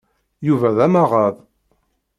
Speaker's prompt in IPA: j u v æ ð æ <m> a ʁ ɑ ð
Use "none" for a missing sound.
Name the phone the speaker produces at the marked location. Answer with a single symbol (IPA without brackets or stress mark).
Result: m